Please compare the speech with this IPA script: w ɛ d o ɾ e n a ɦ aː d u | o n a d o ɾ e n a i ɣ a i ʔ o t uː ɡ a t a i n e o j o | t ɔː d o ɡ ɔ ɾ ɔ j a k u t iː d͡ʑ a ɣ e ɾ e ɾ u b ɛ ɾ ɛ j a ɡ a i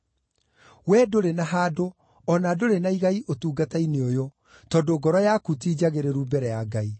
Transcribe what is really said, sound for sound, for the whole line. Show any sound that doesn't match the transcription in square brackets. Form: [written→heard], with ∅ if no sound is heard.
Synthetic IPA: w ɛ d o ɾ e n a ɦ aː d [u→o] | [o→ɔ] n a d o ɾ e n a i ɣ a i ʔ o t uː ɡ a t a i n e o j o | t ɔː d o ɡ ɔ ɾ ɔ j a k u t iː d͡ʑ a ɣ e ɾ e ɾ u b ɛ ɾ ɛ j a ɡ a i